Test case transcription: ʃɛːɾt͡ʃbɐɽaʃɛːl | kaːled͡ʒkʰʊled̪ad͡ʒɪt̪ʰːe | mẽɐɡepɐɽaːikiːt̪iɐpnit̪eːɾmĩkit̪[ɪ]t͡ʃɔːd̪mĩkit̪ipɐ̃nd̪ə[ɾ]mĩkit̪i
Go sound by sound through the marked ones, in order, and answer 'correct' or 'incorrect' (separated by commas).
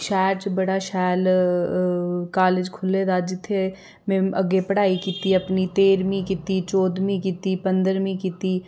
incorrect, correct